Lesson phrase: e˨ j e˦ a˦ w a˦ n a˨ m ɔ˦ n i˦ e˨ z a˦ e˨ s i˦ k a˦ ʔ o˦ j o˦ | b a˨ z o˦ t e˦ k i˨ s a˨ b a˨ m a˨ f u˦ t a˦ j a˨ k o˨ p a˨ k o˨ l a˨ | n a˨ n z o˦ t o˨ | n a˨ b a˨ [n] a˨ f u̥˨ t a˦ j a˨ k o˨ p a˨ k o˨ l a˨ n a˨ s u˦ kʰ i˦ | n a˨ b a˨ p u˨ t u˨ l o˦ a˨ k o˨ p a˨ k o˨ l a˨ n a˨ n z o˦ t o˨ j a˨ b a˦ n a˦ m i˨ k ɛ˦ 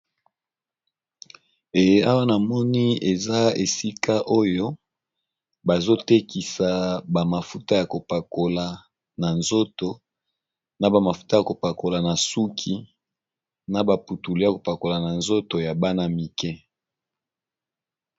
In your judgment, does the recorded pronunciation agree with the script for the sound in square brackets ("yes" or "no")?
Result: no